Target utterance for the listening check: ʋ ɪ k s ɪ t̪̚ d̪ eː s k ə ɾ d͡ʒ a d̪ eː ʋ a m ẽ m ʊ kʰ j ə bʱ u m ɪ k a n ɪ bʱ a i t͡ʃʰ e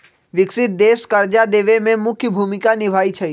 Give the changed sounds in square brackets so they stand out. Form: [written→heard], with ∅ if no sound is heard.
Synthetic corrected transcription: ʋ ɪ k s ɪ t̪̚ d̪ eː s k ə ɾ d͡ʒ a d̪ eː ʋ [a→e] m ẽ m ʊ kʰ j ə bʱ u m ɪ k a n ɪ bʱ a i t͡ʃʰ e